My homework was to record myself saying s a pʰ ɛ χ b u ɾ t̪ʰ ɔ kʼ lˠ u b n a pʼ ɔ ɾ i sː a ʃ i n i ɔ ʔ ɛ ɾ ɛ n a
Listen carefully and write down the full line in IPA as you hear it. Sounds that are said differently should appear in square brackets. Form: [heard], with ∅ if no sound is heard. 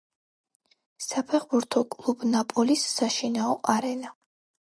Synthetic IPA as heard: s a pʰ ɛ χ b u ɾ t̪ʰ ɔ kʼ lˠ u b n a pʼ ɔ [l] i sː a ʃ i n [a] ɔ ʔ [a] ɾ ɛ n a